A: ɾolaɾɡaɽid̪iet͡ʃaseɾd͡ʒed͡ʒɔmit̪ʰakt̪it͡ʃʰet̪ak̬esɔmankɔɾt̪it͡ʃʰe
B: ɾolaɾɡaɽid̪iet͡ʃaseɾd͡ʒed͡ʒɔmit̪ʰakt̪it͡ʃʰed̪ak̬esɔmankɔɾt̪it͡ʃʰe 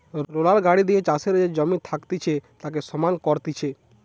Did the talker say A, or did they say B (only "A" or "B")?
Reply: A